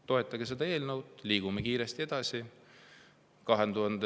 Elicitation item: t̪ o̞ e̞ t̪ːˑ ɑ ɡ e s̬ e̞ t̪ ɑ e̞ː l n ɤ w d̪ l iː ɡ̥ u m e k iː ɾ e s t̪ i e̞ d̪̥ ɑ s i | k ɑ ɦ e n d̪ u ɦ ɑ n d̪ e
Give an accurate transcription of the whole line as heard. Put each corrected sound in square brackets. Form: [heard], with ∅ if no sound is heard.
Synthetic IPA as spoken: t̪ o̞ e̞ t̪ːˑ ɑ ɡ e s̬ e̞ [d̪] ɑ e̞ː l n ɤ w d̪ l iː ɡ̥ u m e k iː ɾ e s t̪ i e̞ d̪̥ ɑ s i | k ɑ ɦ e n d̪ u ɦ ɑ n d̪ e